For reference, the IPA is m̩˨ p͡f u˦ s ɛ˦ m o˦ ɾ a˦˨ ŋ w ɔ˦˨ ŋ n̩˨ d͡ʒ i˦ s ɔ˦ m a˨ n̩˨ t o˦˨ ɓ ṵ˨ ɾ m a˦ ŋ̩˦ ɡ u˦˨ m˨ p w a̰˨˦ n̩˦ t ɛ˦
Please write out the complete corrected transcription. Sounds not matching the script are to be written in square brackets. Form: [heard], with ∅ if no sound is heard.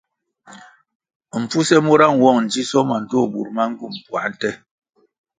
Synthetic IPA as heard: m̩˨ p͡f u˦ s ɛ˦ m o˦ ɾ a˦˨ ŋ w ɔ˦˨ ŋ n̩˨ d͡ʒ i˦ s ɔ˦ m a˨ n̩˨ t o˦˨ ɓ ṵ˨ ɾ m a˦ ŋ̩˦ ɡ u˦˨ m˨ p w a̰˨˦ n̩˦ t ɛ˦